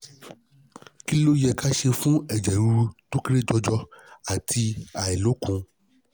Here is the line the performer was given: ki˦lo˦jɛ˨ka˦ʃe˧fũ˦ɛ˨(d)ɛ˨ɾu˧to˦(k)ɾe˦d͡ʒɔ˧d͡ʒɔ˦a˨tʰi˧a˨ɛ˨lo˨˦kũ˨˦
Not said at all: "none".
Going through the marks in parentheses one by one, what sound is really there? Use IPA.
d͡ʒ, k

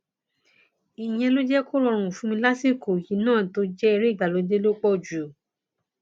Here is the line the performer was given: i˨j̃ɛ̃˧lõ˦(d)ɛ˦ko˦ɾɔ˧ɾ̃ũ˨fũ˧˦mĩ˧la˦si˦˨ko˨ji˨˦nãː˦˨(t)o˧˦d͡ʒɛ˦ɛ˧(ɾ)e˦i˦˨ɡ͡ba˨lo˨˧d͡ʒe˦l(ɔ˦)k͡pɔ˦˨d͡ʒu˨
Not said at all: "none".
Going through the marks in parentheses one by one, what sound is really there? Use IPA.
d͡ʒ, t, ɾ, o˦

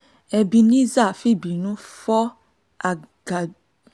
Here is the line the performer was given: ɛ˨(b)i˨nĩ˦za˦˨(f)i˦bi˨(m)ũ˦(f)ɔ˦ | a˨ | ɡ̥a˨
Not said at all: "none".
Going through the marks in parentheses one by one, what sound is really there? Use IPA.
b, f, n, f

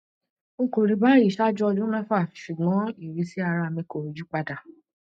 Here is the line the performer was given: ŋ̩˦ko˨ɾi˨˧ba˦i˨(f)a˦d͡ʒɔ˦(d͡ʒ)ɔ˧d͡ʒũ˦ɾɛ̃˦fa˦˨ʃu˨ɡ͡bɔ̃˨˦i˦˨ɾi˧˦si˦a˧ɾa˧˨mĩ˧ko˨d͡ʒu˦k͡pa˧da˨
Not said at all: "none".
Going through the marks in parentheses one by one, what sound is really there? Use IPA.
ʃ, none

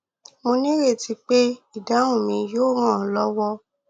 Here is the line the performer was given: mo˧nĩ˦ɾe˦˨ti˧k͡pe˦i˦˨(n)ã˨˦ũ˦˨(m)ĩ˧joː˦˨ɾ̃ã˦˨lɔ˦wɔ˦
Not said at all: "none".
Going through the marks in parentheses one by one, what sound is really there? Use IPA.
d, m

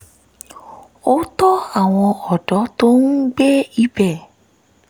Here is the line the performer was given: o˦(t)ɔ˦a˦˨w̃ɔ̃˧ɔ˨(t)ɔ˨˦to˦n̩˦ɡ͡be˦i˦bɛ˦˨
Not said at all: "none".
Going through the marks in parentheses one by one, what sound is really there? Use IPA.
t, d

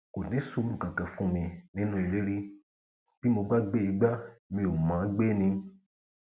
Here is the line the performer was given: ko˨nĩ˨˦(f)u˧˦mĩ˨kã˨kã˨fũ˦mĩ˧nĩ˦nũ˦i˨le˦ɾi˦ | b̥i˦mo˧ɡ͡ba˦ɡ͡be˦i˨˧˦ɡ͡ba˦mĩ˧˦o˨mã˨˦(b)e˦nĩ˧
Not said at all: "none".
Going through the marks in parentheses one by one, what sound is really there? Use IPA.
s, ɡ͡b

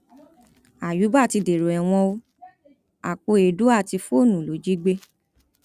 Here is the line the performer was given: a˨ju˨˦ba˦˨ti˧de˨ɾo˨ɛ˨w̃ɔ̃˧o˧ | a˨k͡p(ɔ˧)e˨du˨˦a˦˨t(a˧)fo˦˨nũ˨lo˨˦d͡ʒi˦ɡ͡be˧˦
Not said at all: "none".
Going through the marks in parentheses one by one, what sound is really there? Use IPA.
o˧, i˧

